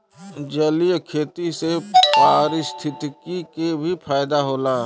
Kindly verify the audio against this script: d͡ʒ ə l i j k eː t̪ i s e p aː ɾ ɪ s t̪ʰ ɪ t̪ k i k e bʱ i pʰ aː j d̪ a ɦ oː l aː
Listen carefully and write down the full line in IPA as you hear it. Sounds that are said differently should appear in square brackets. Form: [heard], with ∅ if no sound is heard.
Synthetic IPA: d͡ʒ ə l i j [kʰ] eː t̪ i s e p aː ɾ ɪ s t̪ʰ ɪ t̪ k i k e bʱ i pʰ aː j d̪ a ɦ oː l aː

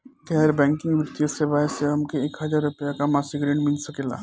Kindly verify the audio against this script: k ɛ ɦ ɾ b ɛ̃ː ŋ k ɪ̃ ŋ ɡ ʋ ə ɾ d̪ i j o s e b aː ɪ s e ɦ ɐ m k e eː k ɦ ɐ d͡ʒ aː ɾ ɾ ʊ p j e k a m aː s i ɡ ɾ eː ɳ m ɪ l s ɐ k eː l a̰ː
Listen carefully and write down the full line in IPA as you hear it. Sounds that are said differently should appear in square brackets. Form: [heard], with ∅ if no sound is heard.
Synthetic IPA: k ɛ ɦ ɾ b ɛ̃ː ŋ k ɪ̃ ŋ ɡ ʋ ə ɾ [t̪] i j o s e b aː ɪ s e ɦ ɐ m k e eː k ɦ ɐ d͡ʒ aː ɾ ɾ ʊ p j [a] k a m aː s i ɡ ɾ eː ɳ m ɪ l s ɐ k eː l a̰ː

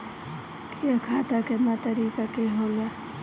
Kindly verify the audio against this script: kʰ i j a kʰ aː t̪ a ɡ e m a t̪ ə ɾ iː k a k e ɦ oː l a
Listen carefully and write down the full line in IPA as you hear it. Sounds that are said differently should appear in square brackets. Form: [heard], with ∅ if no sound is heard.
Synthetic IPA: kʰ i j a kʰ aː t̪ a [k] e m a t̪ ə ɾ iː k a k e ɦ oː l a

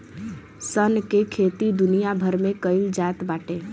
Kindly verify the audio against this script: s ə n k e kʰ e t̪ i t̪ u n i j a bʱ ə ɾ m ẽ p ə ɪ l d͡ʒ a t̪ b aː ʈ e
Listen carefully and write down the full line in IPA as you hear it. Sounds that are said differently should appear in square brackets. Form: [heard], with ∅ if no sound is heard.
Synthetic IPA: s ə n k e kʰ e t̪ i [d̪] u n i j a bʱ ə ɾ m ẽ [k] ə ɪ l d͡ʒ a t̪ b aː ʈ e

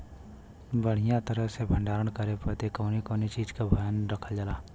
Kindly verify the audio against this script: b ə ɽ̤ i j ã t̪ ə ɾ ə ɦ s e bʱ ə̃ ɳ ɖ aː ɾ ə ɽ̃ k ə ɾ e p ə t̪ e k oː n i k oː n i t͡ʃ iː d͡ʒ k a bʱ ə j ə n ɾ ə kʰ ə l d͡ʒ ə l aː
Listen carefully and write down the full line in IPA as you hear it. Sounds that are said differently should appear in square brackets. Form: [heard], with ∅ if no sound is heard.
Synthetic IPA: b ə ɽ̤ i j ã t̪ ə ɾ ə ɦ s e bʱ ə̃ ɳ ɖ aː ɾ ə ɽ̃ k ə ɾ e p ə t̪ e k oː n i k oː n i t͡ʃ iː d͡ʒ k a bʱ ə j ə n ɾ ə kʰ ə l d͡ʒ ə l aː

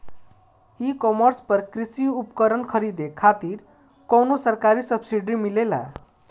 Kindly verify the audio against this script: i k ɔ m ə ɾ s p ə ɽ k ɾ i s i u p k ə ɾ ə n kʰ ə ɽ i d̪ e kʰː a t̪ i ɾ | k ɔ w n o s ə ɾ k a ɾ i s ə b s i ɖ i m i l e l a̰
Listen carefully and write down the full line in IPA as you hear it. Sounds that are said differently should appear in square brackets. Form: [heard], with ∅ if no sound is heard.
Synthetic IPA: i k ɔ m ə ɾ s p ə [ɾ] k ɾ i s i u p k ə ɾ ə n kʰ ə [ɾ] i d̪ e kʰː a t̪ i ɾ | k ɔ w n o s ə ɾ k a ɾ i s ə b s i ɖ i m i l e l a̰

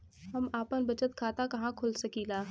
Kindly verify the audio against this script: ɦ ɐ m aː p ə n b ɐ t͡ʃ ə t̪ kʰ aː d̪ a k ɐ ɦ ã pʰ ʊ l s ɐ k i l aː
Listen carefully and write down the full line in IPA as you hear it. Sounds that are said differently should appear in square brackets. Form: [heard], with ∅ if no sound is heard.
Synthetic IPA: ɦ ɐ m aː p ə n b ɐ t͡ʃ ə t̪ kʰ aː [t̪] a k ɐ ɦ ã [kʰ] ʊ l s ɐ k i l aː

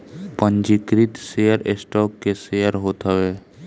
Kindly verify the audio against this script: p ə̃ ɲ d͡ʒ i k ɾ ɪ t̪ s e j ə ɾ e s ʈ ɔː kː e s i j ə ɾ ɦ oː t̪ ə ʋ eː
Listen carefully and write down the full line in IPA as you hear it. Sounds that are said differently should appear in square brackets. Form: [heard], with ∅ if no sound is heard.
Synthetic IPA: p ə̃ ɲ d͡ʒ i k ɾ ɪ t̪ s e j ə ɾ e s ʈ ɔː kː e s [e] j ə ɾ ɦ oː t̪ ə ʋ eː

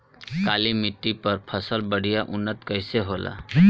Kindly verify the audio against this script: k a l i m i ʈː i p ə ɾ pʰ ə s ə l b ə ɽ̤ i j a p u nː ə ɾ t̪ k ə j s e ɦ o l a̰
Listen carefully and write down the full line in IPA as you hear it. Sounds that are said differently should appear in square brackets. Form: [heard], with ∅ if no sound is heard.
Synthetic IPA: k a l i m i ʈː i p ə ɾ pʰ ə s ə l b ə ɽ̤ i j a [ʔ] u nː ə [∅] t̪ k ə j s e ɦ o l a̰

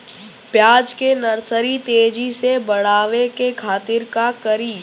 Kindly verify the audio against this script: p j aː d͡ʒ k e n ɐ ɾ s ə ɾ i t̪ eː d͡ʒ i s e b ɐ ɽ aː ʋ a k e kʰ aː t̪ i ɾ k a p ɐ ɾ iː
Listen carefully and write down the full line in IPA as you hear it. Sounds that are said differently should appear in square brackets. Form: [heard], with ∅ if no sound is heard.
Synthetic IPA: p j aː d͡ʒ k e n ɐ ɾ s ə ɾ i t̪ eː d͡ʒ i s e b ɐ ɽ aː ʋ [e] k e kʰ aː t̪ [ɪ] ɾ k a [k] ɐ ɾ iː

